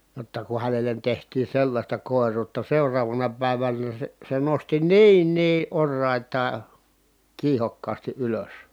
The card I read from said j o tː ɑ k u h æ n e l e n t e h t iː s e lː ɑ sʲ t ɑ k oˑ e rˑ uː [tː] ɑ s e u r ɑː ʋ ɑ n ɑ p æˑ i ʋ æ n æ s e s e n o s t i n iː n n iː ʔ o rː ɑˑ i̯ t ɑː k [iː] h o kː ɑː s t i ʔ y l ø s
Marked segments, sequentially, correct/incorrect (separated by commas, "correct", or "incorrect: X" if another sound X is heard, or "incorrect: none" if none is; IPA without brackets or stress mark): correct, correct